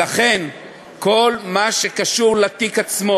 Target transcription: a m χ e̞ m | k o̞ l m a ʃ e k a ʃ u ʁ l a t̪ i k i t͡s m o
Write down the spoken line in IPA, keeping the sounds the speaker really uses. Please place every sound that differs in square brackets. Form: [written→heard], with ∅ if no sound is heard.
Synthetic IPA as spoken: a [m→∅] χ e̞ [m→n] | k o̞ l m a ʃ e k a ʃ u ʁ l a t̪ i k [i→a] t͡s m o